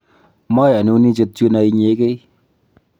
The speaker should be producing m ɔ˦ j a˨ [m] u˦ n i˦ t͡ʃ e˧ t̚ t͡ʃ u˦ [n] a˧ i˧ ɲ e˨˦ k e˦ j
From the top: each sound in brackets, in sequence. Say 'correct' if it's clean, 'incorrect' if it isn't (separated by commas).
incorrect, correct